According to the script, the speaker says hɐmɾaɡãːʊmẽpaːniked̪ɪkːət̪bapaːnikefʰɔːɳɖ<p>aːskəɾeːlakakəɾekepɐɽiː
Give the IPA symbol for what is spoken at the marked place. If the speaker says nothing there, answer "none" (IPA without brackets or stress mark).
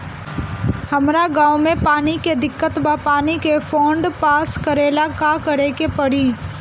p